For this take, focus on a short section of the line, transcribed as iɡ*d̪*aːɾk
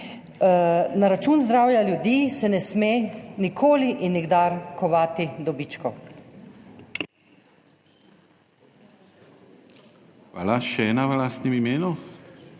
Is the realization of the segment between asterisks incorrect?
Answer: no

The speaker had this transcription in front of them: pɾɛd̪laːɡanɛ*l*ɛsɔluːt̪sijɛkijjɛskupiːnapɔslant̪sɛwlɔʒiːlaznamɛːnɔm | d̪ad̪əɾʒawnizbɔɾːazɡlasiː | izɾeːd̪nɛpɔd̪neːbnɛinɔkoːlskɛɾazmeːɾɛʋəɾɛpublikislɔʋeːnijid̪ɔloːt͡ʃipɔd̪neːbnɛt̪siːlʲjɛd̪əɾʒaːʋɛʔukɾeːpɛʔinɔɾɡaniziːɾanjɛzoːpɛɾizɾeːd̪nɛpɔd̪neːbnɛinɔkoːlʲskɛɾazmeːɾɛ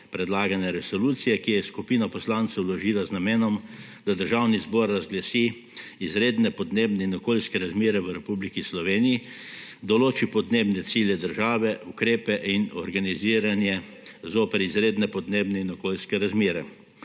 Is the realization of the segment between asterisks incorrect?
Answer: yes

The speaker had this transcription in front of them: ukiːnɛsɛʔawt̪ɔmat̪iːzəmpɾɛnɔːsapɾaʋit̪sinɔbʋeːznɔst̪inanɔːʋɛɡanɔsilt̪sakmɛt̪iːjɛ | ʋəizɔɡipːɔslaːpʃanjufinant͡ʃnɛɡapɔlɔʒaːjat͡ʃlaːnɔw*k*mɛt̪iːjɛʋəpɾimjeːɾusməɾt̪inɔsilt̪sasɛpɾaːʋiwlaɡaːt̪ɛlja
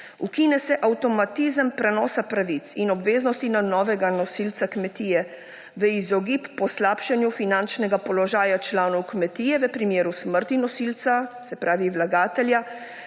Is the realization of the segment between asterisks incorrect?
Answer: no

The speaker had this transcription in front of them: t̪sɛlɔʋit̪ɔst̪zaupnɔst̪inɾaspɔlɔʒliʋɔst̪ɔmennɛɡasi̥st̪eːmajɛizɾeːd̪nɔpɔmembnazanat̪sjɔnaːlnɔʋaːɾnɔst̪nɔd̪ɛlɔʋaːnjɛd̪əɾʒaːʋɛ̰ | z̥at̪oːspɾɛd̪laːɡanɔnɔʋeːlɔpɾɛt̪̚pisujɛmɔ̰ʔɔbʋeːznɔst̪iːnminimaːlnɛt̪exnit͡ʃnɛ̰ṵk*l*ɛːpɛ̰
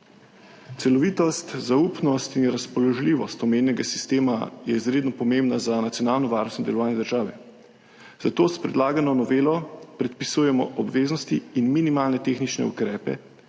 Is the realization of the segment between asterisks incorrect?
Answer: yes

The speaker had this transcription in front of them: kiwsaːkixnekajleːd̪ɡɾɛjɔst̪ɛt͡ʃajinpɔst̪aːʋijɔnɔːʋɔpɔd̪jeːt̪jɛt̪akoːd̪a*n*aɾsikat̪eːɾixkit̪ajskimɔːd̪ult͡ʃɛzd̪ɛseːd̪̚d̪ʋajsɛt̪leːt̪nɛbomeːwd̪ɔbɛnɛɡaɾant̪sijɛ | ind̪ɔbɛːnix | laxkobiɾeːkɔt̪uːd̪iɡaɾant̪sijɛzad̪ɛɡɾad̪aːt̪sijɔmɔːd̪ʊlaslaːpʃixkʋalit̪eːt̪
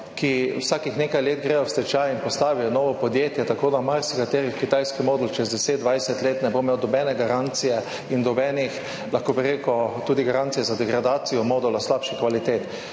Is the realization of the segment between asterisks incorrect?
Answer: yes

